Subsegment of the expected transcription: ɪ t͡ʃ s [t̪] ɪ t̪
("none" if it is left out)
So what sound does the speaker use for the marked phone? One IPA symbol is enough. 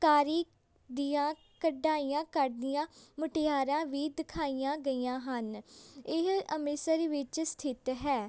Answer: t̪ʰ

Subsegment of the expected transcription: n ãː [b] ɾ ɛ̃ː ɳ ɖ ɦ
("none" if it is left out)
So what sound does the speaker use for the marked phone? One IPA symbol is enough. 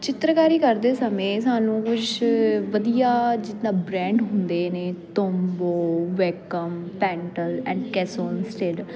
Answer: b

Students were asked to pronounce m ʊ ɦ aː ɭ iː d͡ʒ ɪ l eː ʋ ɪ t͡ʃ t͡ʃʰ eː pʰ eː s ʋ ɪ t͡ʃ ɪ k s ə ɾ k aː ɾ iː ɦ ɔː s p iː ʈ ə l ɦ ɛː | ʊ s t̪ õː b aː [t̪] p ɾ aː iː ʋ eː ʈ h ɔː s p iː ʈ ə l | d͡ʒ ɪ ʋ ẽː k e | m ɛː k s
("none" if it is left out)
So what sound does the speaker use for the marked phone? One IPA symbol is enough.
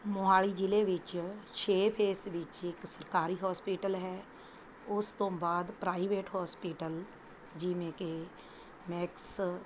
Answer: d̪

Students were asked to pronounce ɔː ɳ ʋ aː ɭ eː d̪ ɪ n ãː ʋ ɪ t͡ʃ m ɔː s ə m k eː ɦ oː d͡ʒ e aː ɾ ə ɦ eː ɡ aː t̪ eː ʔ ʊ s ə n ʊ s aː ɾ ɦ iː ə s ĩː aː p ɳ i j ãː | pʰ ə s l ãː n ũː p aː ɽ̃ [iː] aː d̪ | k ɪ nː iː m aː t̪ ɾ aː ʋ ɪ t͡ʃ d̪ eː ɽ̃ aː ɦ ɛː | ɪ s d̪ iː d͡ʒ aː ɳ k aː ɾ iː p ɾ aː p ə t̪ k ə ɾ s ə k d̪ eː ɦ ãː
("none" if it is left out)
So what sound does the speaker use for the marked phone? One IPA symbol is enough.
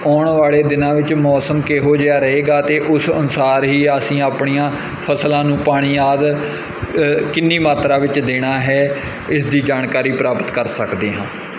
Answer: iː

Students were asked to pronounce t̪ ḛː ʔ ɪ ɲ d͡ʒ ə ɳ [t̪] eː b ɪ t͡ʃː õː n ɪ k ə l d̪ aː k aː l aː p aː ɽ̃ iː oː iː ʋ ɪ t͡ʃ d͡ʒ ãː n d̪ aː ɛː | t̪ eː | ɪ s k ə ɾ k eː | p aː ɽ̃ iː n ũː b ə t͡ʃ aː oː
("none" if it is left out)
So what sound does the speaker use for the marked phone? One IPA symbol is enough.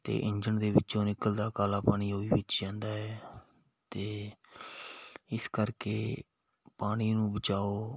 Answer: d̪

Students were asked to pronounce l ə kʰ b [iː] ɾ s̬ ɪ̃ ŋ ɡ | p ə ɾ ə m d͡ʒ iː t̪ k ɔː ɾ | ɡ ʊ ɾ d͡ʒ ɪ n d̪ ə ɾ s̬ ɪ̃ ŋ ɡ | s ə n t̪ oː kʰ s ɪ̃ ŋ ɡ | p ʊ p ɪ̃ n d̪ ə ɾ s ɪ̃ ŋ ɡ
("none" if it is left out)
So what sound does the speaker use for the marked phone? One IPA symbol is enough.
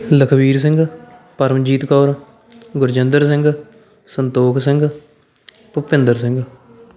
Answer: iː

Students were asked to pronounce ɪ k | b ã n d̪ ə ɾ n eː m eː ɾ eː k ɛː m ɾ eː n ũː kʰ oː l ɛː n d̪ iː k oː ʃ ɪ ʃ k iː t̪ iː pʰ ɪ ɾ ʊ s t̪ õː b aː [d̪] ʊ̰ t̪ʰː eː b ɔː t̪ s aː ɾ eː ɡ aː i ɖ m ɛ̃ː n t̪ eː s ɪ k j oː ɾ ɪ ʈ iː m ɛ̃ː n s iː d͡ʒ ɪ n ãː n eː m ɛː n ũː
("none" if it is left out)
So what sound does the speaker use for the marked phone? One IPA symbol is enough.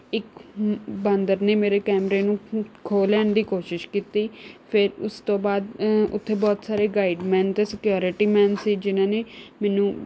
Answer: d̪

